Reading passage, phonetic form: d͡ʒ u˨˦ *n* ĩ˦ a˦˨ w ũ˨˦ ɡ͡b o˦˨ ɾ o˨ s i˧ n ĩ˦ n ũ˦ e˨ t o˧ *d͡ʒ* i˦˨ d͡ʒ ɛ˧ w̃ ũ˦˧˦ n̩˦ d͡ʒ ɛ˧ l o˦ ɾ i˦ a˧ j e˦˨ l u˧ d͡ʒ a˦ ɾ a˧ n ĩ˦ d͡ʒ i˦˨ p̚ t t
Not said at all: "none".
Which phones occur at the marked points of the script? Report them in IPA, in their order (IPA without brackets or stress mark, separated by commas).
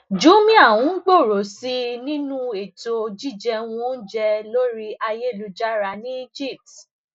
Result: m, d͡ʒ